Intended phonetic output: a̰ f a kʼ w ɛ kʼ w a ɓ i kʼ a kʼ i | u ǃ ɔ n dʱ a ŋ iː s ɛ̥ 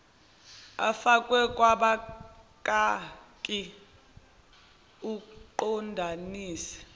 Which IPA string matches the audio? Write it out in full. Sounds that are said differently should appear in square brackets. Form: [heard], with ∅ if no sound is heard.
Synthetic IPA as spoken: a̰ f a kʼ w ɛ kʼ w a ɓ [a] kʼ a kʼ i | u ǃ ɔ n dʱ a [n] iː s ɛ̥